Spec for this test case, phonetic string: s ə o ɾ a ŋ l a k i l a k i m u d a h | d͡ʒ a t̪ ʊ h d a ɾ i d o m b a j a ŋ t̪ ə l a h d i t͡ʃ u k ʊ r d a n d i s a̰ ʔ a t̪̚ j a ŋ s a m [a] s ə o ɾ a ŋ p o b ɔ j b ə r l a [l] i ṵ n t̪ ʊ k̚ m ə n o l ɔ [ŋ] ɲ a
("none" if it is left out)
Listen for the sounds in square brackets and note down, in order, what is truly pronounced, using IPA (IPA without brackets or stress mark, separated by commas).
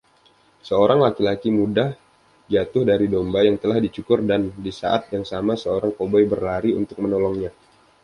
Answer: a, ɾ, ŋ